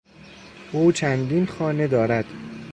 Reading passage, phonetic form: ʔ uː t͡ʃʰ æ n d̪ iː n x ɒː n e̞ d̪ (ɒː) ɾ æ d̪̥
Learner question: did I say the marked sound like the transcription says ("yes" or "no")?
yes